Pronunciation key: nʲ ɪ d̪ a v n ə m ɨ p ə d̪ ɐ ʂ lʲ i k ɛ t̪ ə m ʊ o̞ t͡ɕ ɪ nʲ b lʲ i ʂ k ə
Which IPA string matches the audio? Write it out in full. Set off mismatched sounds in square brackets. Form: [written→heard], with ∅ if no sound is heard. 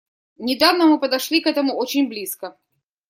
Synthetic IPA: nʲ ɪ d̪ a v n ə m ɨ p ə d̪ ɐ ʂ lʲ i k ɛ t̪ ə m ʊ o̞ t͡ɕ ɪ nʲ b lʲ i [ʂ→s] k ə